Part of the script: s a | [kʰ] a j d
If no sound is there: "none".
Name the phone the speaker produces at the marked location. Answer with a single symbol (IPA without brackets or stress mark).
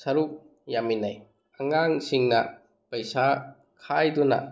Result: kʰ